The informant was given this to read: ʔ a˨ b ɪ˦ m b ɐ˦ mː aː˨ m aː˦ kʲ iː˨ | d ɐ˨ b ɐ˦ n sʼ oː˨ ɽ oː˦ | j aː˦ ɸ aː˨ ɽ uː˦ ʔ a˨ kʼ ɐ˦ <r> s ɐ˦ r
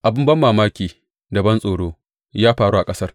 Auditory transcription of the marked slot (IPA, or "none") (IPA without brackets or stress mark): none